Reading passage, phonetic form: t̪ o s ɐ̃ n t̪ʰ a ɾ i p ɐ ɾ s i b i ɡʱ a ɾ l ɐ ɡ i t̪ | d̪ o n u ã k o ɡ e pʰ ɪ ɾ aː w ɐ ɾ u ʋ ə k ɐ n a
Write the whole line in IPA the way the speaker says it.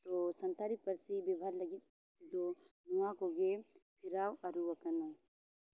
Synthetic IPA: t̪ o s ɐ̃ n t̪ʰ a ɾ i p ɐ ɾ s i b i bʱ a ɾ l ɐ ɡ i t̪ | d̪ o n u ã k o ɡ e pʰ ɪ ɾ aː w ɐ ɾ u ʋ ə k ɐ n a